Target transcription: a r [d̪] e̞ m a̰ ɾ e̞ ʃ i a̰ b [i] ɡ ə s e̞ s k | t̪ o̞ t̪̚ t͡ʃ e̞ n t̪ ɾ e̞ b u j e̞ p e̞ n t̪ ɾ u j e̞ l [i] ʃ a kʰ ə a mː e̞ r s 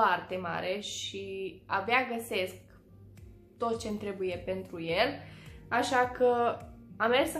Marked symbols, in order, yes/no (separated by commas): no, no, no